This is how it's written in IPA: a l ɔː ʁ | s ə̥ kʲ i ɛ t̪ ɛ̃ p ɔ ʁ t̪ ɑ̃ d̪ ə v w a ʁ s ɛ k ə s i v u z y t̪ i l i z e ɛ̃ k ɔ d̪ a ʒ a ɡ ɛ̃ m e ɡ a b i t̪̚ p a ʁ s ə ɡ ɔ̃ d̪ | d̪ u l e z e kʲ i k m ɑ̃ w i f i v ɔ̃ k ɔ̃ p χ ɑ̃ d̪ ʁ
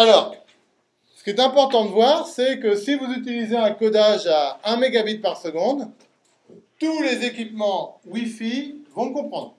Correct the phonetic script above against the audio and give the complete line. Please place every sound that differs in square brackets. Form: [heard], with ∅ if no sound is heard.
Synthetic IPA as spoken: a l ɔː ʁ | s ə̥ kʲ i ɛ t̪ ɛ̃ p ɔ ʁ t̪ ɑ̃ d̪ ə v w a ʁ s ɛ k ə s i v u z y t̪ i l i z e ɛ̃ k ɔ d̪ a ʒ a [∅] ɛ̃ m e ɡ a b i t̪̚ p a ʁ s ə ɡ ɔ̃ d̪ | [t̪] u l e z e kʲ i [p] m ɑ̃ w i f i v ɔ̃ k ɔ̃ p χ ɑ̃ d̪ ʁ